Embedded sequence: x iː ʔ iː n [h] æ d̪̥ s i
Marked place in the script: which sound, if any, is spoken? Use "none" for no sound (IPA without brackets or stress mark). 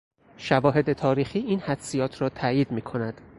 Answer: h